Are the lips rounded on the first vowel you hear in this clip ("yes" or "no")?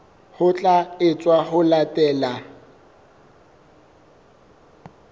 yes